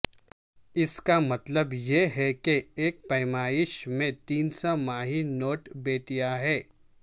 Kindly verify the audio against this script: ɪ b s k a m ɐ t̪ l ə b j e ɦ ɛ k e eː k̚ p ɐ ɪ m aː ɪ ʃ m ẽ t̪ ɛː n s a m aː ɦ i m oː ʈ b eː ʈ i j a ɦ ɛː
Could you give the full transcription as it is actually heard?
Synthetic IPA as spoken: ɪ s k a m ɐ t̪ l ə b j e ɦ ɛ k e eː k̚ p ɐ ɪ m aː ɪ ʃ m ẽ t̪ iː n s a m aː ɦ i n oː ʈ b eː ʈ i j a ɦ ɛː